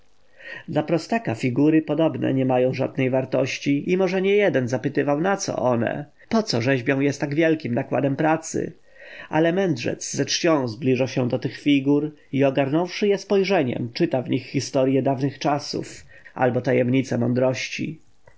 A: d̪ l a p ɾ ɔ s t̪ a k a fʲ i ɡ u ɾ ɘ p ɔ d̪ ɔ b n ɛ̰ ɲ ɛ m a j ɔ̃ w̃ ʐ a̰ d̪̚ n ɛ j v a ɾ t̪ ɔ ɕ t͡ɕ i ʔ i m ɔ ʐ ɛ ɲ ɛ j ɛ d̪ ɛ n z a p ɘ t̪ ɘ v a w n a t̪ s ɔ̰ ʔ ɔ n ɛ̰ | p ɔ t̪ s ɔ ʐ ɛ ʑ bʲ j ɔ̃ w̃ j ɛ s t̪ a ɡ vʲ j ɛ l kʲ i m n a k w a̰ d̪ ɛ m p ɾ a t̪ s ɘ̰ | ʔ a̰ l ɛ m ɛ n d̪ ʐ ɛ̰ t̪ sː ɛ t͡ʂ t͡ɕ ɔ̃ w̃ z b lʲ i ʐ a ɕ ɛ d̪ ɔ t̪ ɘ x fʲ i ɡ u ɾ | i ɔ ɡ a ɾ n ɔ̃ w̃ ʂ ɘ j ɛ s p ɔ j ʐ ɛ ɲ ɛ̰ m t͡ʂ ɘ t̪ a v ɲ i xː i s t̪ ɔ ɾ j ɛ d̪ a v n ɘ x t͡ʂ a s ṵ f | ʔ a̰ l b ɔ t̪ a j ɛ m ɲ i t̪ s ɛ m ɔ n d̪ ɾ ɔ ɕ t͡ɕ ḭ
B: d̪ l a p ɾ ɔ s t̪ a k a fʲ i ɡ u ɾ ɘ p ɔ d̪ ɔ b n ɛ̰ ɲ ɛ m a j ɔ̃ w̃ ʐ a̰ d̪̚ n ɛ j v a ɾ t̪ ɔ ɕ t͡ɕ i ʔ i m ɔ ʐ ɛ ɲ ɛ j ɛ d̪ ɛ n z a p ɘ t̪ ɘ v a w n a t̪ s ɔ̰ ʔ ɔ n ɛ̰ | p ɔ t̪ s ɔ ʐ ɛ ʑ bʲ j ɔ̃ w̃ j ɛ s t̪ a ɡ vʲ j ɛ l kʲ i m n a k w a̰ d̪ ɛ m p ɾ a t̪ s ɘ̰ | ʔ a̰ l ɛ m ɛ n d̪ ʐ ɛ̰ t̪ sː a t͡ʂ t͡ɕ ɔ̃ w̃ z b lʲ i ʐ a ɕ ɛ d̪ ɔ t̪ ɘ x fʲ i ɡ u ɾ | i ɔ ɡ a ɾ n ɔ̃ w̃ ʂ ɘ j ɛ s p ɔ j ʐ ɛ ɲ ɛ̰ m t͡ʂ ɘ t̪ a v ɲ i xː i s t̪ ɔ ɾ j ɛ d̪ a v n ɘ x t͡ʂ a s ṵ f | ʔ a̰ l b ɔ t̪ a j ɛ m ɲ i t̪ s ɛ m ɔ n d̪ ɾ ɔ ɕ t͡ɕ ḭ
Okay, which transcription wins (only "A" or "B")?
A